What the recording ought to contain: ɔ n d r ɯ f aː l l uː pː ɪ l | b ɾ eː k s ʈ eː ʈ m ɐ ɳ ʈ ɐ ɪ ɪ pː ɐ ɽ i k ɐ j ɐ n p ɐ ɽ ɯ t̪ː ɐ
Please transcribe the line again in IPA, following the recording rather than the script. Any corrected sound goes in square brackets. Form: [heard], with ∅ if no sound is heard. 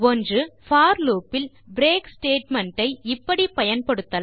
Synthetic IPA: ɔ n d r ɯ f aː [ɾ] l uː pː ɪ l | b ɾ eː k s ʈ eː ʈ m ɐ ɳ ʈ ɐ ɪ ɪ pː ɐ ɽ i [p] ɐ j ɐ n p ɐ ɽ ɯ t̪ː ɐ

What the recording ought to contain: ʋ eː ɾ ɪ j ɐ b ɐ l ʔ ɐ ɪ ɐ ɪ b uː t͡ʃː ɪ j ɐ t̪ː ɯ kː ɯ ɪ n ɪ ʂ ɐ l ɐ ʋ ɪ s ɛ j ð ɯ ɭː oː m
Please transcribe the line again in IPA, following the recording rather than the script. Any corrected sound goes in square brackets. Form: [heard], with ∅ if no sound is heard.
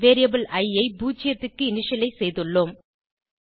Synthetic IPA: ʋ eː ɾ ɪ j ɐ b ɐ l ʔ ɐ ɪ ɐ ɪ b uː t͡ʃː ɪ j ɐ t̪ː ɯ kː ɯ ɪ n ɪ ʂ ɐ l ɐ [∅] ɪ s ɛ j ð ɯ ɭː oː m

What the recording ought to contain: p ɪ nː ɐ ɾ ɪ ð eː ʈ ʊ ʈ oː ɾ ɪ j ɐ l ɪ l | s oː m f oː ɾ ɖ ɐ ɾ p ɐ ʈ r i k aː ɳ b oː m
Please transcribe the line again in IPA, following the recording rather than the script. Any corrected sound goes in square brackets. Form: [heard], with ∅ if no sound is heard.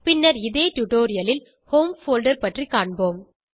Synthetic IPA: p ɪ nː ɐ ɾ ɪ ð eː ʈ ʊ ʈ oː ɾ ɪ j ɐ l ɪ l | [h] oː m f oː [l] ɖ ɐ ɾ p ɐ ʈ r i k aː ɳ b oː m

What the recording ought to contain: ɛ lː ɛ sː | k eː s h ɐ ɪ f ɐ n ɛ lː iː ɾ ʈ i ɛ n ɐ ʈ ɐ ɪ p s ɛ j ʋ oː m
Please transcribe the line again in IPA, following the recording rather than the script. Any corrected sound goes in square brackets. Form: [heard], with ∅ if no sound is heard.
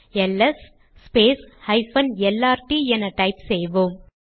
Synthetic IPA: ɛ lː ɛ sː | [p] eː s h ɐ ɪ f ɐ n ɛ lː [aː] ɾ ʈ i ɛ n ɐ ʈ ɐ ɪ p s ɛ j ʋ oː m

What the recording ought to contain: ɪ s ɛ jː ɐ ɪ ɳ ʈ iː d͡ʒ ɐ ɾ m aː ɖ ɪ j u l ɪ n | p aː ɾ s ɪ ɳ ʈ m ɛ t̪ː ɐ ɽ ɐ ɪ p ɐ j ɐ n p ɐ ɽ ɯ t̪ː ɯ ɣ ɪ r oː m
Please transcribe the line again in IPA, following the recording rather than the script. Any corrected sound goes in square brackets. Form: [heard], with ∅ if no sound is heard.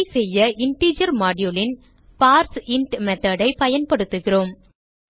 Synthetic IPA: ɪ s ɛ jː ɐ ɪ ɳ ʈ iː d͡ʒ ɐ ɾ m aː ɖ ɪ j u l ɪ n | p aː ɾ s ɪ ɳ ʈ m ɛ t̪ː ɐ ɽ ɐ ɪ p ɐ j ɐ n p ɐ ɽ ɯ t̪ː ɯ ɣ ɪ r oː m

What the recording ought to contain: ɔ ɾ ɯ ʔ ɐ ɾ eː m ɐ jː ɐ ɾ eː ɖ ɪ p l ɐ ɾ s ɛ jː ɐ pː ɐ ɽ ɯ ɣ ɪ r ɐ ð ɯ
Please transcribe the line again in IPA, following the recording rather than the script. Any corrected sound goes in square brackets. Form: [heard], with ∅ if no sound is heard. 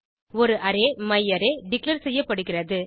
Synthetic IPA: ɔ ɾ ɯ ʔ ɐ ɾ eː m ɐ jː ɐ ɾ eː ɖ ɪ [k] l ɐ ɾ s ɛ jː ɐ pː ɐ ɽ ɯ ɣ ɪ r ɐ ð ɯ

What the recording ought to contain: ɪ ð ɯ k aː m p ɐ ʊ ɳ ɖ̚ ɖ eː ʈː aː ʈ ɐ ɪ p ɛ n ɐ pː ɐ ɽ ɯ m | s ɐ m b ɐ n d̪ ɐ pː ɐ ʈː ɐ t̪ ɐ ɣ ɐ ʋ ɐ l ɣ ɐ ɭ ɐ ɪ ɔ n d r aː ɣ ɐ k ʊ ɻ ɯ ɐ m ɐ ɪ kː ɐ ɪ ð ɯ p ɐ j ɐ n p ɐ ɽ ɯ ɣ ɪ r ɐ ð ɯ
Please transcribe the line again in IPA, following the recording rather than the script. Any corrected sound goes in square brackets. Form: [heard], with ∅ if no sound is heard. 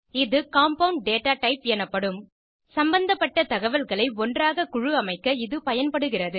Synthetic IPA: ɪ ð ɯ k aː m p ɐ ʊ ɳ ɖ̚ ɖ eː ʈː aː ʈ ɐ ɪ p ɛ n ɐ pː ɐ ɽ ɯ m | s ɐ m b ɐ n d̪ ɐ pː ɐ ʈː ɐ t̪ ɐ ɣ ɐ ʋ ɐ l ɣ ɐ ɭ ɐ ɪ ɔ n d r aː ɣ ɐ k ʊ ɻ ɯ ɐ m ɐ ɪ kː ɐ ɪ ð ɯ p ɐ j ɐ n p ɐ ɽ ɯ ɣ ɪ r ɐ ð ɯ

